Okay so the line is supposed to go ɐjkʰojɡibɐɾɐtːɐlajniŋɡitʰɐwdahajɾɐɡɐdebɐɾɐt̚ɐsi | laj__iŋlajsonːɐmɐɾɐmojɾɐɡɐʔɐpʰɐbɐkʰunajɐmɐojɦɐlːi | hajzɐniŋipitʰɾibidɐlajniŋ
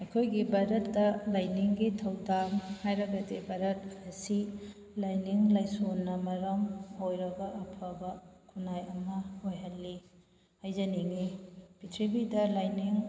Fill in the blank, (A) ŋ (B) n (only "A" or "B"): B